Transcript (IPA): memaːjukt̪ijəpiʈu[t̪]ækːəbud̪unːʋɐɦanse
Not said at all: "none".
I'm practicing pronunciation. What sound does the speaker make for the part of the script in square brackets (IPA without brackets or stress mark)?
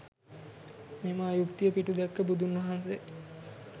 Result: d̪